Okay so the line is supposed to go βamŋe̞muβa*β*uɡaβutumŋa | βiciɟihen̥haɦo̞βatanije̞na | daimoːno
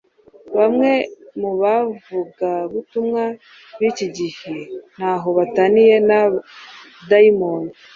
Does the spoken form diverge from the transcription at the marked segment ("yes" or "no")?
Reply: yes